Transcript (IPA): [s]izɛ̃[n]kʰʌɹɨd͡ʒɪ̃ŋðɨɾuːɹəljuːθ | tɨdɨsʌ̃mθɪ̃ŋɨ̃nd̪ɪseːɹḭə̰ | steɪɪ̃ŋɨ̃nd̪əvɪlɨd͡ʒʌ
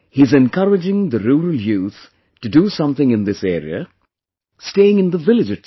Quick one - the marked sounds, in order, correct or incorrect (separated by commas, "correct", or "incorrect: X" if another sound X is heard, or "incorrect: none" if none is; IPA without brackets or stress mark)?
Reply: incorrect: h, correct